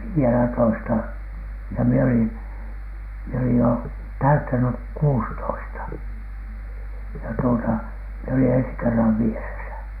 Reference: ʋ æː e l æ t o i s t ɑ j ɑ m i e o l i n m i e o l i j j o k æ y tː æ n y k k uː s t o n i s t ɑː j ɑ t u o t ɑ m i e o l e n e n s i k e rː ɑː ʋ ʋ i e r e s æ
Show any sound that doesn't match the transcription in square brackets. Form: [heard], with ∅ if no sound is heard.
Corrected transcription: ʋ [iː] e l æ t o i s t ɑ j ɑ m i e o l i n m i e o l i j j o [t] æ y tː æ n y k k uː s t o [∅] i s t [ɑ] j ɑ t u o t ɑ m i e o l [i] n e n s i k e rː [ɑ] ʋ ʋ i e r e s æ